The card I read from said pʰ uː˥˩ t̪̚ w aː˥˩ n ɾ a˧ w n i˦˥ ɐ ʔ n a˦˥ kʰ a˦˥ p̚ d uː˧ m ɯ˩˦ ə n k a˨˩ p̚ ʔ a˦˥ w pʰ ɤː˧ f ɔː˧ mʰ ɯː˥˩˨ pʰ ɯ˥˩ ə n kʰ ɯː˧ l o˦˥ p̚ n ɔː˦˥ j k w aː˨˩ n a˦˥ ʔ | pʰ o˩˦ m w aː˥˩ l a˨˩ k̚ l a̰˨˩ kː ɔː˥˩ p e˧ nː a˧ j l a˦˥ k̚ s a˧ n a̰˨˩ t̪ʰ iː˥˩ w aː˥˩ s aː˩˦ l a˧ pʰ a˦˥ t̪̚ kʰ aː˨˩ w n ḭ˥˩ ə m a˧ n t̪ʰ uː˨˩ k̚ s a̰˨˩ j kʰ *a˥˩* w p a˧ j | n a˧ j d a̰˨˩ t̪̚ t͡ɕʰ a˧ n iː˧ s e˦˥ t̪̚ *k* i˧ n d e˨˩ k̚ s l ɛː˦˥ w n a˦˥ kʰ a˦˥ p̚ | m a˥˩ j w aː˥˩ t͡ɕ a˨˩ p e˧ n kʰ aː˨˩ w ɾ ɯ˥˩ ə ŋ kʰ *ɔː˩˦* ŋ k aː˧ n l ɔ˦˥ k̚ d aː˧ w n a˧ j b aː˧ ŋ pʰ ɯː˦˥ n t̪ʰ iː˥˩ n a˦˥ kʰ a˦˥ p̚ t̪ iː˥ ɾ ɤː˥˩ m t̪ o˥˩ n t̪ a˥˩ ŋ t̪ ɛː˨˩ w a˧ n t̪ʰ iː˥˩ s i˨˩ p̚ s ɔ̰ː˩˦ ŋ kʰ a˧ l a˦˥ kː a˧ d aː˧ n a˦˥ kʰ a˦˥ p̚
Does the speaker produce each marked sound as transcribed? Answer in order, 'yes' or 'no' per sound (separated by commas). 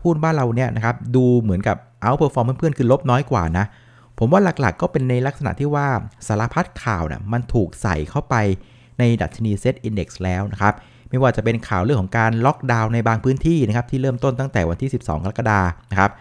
yes, no, no